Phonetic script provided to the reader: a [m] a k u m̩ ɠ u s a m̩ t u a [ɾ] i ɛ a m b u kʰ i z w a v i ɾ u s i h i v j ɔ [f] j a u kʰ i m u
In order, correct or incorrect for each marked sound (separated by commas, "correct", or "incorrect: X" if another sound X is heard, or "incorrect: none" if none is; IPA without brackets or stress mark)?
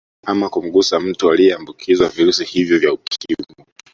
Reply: correct, incorrect: l, incorrect: v